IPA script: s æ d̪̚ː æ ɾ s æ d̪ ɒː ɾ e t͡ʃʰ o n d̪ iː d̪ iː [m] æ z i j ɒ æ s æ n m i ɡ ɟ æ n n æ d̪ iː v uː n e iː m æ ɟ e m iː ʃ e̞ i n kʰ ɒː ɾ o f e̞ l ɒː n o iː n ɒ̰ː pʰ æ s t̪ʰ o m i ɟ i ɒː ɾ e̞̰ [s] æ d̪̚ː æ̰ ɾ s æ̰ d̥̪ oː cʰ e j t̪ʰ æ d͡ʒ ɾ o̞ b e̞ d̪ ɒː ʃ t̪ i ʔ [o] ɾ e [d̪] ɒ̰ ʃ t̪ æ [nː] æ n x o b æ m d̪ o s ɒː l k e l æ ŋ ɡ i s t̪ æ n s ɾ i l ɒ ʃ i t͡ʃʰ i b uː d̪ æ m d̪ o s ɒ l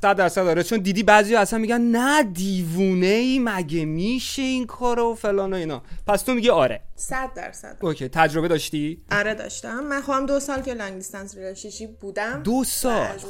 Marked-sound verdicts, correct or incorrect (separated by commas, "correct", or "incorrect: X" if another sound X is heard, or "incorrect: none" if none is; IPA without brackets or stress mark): incorrect: b, correct, incorrect: ɒ, correct, incorrect: mː